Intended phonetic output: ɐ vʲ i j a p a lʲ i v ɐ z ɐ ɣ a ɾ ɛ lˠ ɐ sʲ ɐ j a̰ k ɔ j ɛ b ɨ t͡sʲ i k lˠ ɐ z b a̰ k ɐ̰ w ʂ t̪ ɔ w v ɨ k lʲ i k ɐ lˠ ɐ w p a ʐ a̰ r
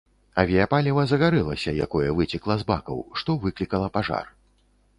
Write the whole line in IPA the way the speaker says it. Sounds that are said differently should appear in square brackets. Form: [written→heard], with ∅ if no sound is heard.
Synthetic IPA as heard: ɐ vʲ i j a p a lʲ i v ɐ z ɐ ɣ a ɾ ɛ lˠ ɐ sʲ ɐ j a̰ k ɔ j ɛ [b→v] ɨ t͡sʲ i k lˠ ɐ z b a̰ k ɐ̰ w ʂ t̪ ɔ [w→∅] v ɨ k lʲ i k ɐ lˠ ɐ [w→∅] p a ʐ a̰ r

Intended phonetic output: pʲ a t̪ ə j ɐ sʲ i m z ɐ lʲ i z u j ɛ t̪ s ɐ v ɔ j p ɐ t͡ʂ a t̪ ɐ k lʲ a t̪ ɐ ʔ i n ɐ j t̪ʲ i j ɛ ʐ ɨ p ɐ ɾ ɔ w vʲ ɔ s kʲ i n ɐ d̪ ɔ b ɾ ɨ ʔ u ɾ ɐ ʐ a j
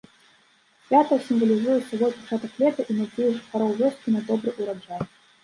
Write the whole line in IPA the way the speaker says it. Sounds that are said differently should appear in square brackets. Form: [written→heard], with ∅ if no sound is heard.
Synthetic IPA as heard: pʲ a t̪ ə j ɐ sʲ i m [z→v] ɐ lʲ i z u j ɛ t̪ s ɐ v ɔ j p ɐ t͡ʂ a t̪ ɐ k lʲ [a→ɛ] t̪ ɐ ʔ i n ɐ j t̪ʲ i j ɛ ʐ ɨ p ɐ ɾ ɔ w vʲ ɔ s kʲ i n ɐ d̪ ɔ b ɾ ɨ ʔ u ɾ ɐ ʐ a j

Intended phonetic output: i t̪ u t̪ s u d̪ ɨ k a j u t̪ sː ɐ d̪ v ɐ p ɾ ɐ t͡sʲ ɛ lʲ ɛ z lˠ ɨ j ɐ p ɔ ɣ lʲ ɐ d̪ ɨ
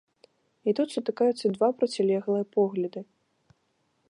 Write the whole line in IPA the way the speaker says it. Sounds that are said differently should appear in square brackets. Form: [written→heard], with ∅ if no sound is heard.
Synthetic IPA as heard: i t̪ u t̪ s u [d̪→t̪] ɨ k a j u t̪ sː ɐ d̪ v [ɐ→a] p ɾ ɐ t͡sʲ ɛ lʲ ɛ [z→ɣ] lˠ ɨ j ɐ p ɔ ɣ lʲ ɐ d̪ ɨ

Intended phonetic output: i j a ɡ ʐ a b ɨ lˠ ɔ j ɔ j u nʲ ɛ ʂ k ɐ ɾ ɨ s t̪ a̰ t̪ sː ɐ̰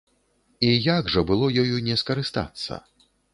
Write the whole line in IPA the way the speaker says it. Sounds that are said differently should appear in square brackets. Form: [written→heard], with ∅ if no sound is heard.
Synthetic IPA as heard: i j a ɡ ʐ [a→ɐ] b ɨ lˠ ɔ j ɔ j u nʲ ɛ [ʂ→s] k ɐ ɾ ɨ s t̪ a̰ t̪ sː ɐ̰

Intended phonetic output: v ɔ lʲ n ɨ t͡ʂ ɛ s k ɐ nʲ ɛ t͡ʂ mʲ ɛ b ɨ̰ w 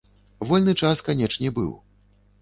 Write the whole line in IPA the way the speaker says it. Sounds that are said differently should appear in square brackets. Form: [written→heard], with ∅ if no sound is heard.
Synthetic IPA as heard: v ɔ lʲ n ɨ t͡ʂ [ɛ→a] s k [ɐ→a] nʲ ɛ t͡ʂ [mʲ→nʲ] ɛ b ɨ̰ w

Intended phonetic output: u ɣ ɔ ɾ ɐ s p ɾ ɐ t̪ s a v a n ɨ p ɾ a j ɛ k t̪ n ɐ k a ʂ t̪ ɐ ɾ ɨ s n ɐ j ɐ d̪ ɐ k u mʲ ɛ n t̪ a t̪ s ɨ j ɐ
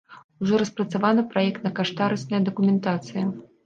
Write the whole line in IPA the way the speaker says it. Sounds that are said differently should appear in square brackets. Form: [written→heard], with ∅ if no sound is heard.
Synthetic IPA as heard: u [ɣ→ʐ] ɔ ɾ ɐ s p ɾ ɐ t̪ s a v a n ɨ p ɾ a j ɛ k t̪ n ɐ k a ʂ t̪ [ɐ→a] ɾ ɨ s n ɐ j ɐ d̪ ɐ k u mʲ ɛ n t̪ a t̪ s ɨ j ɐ

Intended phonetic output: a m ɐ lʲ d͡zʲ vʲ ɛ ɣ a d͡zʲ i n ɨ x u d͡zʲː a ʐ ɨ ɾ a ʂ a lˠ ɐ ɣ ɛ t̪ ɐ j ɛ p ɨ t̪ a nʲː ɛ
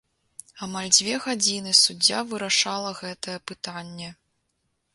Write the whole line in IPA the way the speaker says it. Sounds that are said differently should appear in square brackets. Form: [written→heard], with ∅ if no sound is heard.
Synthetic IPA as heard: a m [ɐ→a] lʲ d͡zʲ vʲ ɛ ɣ a d͡zʲ i n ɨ [x→s] u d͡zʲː a [ʐ→v] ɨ ɾ a ʂ a lˠ ɐ ɣ ɛ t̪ ɐ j ɛ p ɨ t̪ a nʲː ɛ

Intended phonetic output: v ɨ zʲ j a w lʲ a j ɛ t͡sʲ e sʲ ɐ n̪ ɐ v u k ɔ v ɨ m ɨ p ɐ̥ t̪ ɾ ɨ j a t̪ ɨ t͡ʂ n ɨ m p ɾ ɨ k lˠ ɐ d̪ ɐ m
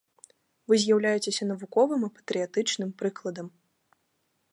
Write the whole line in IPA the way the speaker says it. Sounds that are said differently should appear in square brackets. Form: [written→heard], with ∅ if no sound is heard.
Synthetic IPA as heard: v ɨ zʲ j a w lʲ a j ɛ t͡sʲ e sʲ ɐ n̪ ɐ v u k ɔ v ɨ m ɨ p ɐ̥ t̪ ɾ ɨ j a t̪ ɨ t͡ʂ n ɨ m p ɾ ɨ k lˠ ɐ d̪ ɐ m

